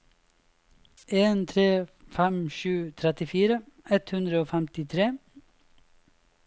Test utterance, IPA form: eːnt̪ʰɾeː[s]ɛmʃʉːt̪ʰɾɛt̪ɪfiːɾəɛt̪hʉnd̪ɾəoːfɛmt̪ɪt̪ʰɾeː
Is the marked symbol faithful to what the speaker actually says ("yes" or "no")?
no